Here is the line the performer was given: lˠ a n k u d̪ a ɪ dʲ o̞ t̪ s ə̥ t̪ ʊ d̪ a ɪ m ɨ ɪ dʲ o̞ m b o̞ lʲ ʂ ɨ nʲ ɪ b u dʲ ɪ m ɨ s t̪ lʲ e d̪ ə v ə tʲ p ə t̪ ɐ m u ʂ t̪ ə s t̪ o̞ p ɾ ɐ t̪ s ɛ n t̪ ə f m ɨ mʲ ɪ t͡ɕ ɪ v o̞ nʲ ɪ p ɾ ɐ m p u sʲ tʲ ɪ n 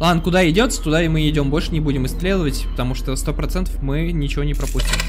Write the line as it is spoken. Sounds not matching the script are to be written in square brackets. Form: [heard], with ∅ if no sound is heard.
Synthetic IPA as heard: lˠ a n k [ʊ] d̪ a ɪ dʲ o̞ t̪ s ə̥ t̪ ʊ d̪ a ɪ m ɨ ɪ dʲ o̞ m b o̞ lʲ ʂ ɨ nʲ ɪ b u dʲ ɪ m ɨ s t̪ lʲ e d̪ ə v ə tʲ p ə t̪ ɐ m u ʂ t̪ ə s t̪ o̞ p ɾ ɐ t̪ s ɛ n t̪ ə f m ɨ [nʲ] ɪ t͡ɕ ɪ v o̞ nʲ ɪ p ɾ ɐ [∅] p u sʲ tʲ ɪ [m]